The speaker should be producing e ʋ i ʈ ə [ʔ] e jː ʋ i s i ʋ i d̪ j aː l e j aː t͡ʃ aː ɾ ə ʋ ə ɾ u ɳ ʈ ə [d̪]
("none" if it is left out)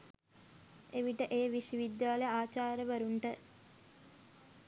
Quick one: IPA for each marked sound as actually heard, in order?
ʔ, none

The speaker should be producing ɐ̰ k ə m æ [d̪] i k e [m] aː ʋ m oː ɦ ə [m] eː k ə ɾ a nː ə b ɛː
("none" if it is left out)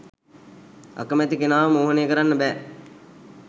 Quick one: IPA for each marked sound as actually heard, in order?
t̪, n, n

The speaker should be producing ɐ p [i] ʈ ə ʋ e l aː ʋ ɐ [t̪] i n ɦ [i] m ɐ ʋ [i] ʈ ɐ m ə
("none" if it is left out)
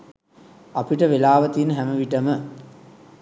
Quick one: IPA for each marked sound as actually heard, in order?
i, t̪, æ, i

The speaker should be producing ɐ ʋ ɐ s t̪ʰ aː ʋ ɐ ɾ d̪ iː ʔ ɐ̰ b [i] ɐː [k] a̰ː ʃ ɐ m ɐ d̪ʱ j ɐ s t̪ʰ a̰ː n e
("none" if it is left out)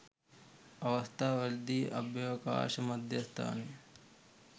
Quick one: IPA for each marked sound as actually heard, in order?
j, k

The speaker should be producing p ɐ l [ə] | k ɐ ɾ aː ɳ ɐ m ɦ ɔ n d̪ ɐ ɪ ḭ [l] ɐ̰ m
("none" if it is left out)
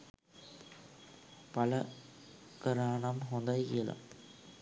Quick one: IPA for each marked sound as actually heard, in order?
ɐ, l

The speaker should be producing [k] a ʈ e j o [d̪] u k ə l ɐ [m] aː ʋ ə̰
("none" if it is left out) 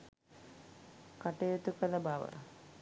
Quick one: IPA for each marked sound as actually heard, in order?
k, t̪, b

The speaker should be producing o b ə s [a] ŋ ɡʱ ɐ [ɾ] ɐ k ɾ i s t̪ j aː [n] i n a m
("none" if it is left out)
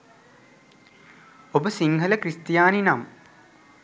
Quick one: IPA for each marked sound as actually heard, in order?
i, l, n

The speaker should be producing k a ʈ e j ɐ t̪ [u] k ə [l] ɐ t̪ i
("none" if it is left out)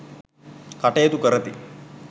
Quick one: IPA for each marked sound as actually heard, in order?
u, ɾ

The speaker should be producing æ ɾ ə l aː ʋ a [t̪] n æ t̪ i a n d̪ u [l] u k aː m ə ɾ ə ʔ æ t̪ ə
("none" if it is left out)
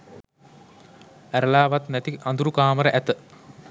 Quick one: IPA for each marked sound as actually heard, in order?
t̪, ɾ

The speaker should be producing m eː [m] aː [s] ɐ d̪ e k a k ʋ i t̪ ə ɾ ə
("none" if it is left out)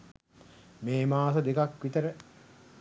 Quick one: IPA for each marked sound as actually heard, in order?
m, s

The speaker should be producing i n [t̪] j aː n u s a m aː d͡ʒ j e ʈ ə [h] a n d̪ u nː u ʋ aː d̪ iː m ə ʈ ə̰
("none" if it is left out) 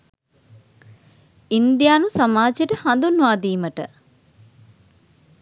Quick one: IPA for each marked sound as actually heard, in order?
d̪, h

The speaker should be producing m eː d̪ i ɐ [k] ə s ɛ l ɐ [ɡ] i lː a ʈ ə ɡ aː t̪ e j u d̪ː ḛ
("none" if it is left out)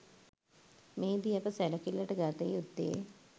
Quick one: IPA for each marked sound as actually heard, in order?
p, k

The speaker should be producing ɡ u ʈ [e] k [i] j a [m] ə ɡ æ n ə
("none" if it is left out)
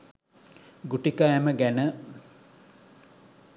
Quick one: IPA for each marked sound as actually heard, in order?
i, a, m

